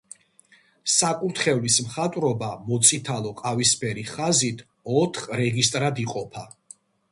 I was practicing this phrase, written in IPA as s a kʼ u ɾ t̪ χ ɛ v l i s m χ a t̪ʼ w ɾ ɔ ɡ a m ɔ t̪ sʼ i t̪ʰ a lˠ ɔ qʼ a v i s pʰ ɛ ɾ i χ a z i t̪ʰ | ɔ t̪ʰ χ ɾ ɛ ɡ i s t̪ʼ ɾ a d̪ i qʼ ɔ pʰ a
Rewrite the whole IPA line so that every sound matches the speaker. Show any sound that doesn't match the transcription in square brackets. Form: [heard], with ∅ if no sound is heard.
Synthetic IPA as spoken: s a kʼ u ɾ t̪ χ ɛ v l i s m χ a t̪ʼ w ɾ ɔ [b] a m ɔ t̪ sʼ i t̪ʰ a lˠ ɔ qʼ a v i s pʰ ɛ ɾ i χ a z i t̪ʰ | ɔ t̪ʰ χ ɾ ɛ ɡ i s t̪ʼ ɾ a d̪ i qʼ ɔ pʰ a

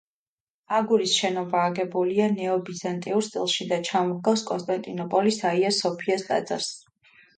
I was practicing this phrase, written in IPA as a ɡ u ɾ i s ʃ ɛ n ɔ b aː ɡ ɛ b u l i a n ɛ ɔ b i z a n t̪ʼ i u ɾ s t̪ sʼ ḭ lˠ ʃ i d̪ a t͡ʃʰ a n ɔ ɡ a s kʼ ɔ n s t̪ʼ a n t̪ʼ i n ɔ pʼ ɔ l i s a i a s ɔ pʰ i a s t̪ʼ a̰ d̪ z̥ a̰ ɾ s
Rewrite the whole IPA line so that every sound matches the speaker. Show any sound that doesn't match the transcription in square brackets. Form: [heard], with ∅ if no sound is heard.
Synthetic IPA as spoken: a ɡ u ɾ i s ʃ ɛ n ɔ b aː ɡ ɛ b u l i a n ɛ ɔ b i z a n t̪ʼ i u ɾ s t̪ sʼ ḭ lˠ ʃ i d̪ a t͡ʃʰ a [m] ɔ ɡ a s kʼ ɔ n s t̪ʼ a n t̪ʼ i n ɔ pʼ ɔ l i s a i a s ɔ pʰ i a s t̪ʼ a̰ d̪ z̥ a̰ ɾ s

